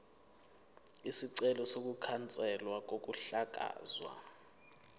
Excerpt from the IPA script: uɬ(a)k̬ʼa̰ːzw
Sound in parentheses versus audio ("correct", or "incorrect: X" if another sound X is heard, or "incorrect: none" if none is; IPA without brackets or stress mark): correct